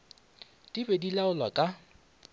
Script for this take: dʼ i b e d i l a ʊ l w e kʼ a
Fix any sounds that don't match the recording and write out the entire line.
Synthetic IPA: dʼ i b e d i l a ʊ l w a kʼ a